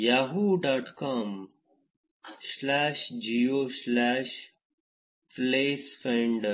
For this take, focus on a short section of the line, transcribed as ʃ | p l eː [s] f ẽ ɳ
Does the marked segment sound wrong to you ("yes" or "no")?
no